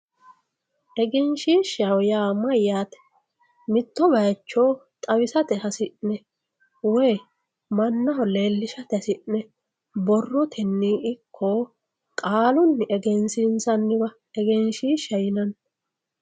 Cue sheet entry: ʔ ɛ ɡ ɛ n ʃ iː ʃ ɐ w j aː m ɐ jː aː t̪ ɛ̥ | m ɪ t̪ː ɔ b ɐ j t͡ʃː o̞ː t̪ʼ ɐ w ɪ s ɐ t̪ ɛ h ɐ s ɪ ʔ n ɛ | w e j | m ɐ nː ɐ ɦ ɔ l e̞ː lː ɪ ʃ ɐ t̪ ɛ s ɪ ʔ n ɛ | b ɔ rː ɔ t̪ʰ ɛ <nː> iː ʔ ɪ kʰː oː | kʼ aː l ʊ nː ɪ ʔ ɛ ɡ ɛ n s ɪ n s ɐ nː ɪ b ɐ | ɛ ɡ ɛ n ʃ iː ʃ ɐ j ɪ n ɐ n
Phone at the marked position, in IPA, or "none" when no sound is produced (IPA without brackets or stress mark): nː